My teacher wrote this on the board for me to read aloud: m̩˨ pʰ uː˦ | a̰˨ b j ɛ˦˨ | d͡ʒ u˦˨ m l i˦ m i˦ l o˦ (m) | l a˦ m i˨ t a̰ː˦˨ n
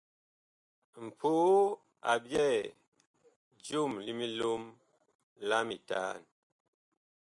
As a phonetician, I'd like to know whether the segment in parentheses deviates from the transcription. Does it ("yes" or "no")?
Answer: no